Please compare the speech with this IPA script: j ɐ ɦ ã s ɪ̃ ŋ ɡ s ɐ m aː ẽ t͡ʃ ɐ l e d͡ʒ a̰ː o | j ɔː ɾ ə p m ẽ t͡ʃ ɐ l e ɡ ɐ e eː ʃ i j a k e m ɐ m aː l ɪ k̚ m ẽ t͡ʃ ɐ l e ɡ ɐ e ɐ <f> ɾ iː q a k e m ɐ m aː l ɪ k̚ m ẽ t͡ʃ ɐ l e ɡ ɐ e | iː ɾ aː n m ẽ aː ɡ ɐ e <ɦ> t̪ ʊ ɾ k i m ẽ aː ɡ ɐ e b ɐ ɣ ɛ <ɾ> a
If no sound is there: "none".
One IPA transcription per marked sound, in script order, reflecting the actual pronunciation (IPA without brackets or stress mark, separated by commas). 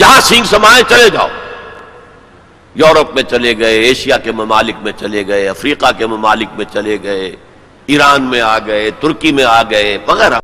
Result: f, none, ɾ